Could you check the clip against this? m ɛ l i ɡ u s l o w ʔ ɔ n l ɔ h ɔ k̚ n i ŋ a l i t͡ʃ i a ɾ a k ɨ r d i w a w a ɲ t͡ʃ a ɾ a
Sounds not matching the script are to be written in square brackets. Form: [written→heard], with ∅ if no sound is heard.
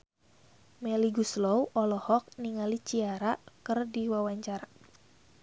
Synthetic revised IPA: m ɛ l i ɡ u s l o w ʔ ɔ [n→∅] l ɔ h ɔ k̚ n i ŋ a l i t͡ʃ i a ɾ a k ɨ r d i w a w a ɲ t͡ʃ a ɾ a